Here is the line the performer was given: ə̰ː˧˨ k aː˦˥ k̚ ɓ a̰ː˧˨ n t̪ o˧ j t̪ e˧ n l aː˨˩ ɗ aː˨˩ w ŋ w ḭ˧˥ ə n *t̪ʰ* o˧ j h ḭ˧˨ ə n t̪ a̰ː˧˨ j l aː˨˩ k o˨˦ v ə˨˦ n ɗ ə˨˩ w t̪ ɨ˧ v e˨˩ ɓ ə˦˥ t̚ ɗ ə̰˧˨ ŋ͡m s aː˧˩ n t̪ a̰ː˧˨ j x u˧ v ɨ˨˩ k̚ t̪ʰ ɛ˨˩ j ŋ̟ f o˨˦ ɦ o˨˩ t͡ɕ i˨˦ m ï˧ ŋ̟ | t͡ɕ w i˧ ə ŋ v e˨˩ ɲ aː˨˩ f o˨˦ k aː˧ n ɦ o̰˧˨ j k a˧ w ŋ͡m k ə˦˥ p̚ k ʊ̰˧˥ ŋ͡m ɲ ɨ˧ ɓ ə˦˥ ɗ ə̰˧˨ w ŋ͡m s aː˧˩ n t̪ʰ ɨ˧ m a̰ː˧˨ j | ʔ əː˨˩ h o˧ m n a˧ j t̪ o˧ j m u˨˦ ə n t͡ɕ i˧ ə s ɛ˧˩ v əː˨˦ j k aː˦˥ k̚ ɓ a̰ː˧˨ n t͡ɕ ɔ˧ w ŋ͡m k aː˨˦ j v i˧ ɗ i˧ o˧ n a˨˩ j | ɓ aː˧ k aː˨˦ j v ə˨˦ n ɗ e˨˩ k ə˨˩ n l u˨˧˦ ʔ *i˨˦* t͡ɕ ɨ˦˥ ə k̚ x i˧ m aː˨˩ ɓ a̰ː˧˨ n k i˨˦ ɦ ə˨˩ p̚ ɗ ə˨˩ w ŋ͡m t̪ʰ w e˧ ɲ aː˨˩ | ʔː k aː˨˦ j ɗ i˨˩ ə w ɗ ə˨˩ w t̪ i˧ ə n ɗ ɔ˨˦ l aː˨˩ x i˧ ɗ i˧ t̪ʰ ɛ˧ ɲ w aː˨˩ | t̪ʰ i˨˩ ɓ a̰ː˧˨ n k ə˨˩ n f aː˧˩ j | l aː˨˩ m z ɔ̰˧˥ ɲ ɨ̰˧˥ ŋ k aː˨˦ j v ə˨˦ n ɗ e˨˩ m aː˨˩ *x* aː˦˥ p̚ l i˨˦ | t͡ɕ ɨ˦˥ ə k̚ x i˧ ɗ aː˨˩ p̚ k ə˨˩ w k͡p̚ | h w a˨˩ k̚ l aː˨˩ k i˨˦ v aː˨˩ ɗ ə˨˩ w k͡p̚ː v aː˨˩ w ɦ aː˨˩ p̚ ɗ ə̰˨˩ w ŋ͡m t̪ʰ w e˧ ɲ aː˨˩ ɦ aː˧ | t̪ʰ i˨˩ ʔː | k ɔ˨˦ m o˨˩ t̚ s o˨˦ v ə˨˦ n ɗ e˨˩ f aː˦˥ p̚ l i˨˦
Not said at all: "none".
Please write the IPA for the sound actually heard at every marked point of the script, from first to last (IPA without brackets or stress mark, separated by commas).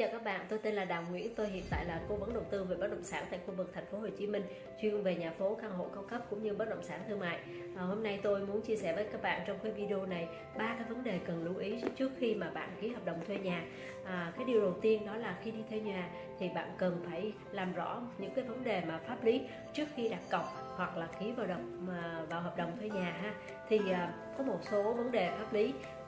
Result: t̪, i˨˦, f